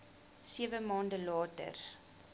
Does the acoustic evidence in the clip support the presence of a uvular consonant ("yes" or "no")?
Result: no